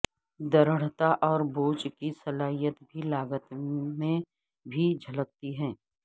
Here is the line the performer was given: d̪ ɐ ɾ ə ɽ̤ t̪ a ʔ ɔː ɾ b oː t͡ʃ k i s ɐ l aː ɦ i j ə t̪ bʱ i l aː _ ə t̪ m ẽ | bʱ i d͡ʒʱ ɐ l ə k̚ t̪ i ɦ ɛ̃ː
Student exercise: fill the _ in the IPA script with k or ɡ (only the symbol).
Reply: ɡ